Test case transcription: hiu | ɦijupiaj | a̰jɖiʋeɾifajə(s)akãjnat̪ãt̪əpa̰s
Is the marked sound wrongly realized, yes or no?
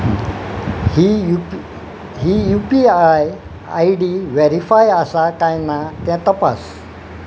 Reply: no